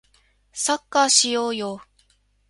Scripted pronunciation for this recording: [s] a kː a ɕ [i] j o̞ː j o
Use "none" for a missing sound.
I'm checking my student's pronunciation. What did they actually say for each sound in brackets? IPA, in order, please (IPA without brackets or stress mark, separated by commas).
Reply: s, i